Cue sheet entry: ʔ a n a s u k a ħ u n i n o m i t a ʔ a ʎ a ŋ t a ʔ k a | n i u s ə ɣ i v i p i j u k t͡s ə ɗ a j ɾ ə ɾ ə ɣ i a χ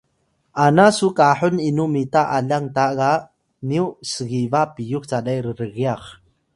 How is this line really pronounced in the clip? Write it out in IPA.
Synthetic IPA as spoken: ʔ a n a s u k a ħ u n i n u m i t a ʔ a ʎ a ŋ t a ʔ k a | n i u s ə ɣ i v a p i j u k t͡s a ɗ a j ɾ ə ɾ ə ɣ i a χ